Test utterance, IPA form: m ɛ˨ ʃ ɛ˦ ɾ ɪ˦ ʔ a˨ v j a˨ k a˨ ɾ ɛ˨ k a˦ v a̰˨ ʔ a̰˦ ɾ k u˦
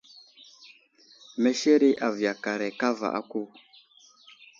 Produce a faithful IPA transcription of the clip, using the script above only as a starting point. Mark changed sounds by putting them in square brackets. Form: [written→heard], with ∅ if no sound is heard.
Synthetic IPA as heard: m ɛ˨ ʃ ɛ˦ ɾ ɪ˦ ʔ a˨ v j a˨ k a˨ ɾ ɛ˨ k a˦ v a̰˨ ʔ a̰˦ [ɾ→∅] k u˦